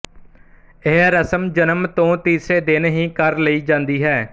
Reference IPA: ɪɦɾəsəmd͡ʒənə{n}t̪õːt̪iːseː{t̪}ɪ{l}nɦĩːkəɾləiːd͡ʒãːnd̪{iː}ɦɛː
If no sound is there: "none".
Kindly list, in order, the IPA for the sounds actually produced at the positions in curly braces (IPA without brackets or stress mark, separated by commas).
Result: m, d̪, none, iː